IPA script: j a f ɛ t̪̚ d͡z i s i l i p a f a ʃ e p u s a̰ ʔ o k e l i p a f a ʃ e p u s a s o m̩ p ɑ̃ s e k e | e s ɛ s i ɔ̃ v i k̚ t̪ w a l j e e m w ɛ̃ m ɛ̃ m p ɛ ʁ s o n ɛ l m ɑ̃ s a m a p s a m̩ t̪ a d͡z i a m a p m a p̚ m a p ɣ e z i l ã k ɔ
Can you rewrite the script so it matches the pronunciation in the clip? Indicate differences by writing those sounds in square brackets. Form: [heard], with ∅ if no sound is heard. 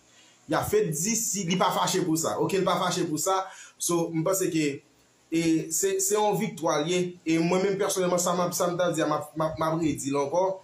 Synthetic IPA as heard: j a f ɛ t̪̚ d͡z i s i l i p a f a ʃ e p u s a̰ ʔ o k e l i p a f a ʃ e p u s a s o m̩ p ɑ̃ s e k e | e s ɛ s [ɛ] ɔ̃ v i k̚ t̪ w a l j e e m w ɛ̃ m ɛ̃ m p ɛ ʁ s o n ɛ l m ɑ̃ s a m a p s a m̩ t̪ a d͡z i a m a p m a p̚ m a p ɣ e [d͡z] i l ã k ɔ

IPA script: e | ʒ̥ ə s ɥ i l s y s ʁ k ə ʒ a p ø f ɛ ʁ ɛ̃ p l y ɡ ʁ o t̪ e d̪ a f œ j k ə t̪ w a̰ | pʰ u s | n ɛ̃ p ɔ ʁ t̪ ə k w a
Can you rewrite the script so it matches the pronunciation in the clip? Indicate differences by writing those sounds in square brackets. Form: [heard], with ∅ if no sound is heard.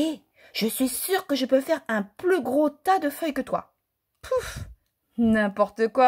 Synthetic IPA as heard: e | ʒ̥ ə s ɥ i [∅] s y [∅] ʁ k ə ʒ [ə] p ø f ɛ ʁ ɛ̃ p l y ɡ ʁ o t̪ [a] d̪ [ə] f œ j k ə t̪ w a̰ | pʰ u [f] | n ɛ̃ p ɔ ʁ t̪ ə k w a

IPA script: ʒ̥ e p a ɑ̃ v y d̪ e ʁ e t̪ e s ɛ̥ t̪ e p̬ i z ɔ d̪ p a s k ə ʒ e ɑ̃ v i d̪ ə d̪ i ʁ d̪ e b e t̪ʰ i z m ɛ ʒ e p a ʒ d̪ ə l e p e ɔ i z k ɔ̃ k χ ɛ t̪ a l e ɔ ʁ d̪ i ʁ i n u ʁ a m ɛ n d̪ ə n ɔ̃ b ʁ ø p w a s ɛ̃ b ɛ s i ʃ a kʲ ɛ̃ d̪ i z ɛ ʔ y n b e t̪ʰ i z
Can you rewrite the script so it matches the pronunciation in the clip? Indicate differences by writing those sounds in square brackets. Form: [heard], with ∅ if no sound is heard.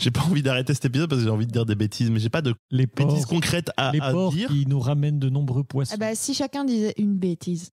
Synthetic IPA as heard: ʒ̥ e p a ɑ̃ v [i] d̪ [a] ʁ e t̪ e s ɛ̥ t̪ e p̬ i z ɔ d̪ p a s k ə ʒ e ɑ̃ v i d̪ ə d̪ i ʁ d̪ e b e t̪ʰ i z m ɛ ʒ e p a [∅] d̪ ə l e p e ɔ i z k ɔ̃ k χ ɛ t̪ a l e ɔ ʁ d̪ i ʁ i n u ʁ a m ɛ n d̪ ə n ɔ̃ b ʁ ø p w a s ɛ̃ b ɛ s i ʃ a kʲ ɛ̃ d̪ i z ɛ ʔ y n b e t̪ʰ i z

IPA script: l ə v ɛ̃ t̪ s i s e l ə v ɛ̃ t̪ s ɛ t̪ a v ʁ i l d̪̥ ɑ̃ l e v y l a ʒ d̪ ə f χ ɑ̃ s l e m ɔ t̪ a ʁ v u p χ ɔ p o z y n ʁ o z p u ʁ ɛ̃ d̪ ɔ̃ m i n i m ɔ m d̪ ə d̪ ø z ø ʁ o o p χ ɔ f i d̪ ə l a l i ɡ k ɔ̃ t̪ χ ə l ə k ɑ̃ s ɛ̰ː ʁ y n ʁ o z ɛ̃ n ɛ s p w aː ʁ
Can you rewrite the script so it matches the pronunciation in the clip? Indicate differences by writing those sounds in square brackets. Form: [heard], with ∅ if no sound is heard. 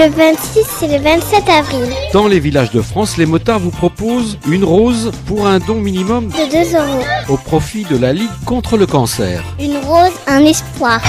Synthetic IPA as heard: l ə v ɛ̃ t̪ s i s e l ə v ɛ̃ t̪ s ɛ t̪ a v ʁ i l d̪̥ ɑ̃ l e v [i] l a ʒ d̪ ə f χ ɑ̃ s l e m ɔ t̪ a ʁ v u p χ ɔ p o z y n ʁ o z p u ʁ ɛ̃ d̪ ɔ̃ m i n i m ɔ m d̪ ə d̪ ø z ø ʁ o o p χ ɔ f i d̪ ə l a l i ɡ k ɔ̃ t̪ χ ə l ə k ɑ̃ s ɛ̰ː ʁ y n ʁ o z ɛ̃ n ɛ s p w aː ʁ

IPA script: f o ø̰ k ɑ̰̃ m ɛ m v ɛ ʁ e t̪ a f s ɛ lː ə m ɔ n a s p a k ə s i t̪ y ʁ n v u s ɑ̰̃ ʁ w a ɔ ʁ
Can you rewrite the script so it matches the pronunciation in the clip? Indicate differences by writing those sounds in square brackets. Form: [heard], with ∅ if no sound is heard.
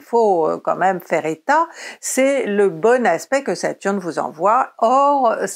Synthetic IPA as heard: f o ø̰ k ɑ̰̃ m ɛ m [f] ɛ ʁ e t̪ a [∅] s ɛ [l] ə [b] ɔ n a s p [ɛ] k ə s [a] t̪ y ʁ n v u [z] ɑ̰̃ [v] w a ɔ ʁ

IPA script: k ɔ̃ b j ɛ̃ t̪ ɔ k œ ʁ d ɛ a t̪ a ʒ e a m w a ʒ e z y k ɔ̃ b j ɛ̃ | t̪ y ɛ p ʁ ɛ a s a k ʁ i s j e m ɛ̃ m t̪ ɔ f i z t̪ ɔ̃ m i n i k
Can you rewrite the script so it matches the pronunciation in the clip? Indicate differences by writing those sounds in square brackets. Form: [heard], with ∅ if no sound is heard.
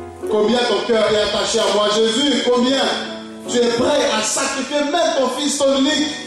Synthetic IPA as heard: k ɔ̃ b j ɛ̃ t̪ [ɔ̃] k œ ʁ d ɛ a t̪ a [ʃ] e a m w a ʒ e z y k ɔ̃ b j ɛ̃ | t̪ y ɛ p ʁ ɛ a s a k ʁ i [f] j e m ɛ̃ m t̪ [ɔ̃] f i [s] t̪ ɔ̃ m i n i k

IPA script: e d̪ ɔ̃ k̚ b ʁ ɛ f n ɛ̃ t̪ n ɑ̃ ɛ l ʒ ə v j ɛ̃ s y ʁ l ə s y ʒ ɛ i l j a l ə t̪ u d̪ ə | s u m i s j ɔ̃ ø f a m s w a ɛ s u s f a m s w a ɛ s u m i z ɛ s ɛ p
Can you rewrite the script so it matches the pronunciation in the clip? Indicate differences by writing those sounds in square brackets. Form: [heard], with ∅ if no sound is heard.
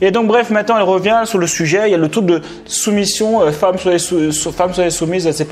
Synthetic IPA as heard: e d̪ ɔ̃ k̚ b ʁ ɛ f [m] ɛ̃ t̪ n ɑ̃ ɛ l [ʁ] ə v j ɛ̃ s y ʁ l ə s y ʒ ɛ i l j a l ə t̪ u d̪ ə | s u m i s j ɔ̃ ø f a m s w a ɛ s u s f a m s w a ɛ s u m i z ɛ s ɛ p

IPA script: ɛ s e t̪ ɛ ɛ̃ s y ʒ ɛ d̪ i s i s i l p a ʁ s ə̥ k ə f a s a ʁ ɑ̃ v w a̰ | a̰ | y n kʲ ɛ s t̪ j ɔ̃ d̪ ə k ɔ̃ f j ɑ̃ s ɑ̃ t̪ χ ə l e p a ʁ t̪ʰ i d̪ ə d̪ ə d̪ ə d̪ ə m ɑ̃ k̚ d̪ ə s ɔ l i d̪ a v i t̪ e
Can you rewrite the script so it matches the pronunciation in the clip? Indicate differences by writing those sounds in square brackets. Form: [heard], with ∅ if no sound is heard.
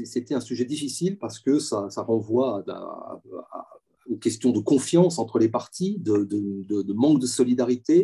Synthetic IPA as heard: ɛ s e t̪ ɛ ɛ̃ s y ʒ ɛ d̪ i [f] i s i l p a ʁ s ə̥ k ə [s] a s a ʁ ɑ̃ v w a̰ | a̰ | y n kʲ ɛ s t̪ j ɔ̃ d̪ ə k ɔ̃ f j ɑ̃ s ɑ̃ t̪ χ ə l e p a ʁ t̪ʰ i d̪ ə d̪ ə d̪ ə d̪ ə m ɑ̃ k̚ d̪ ə s ɔ l i d̪ a [ʁ] i t̪ e

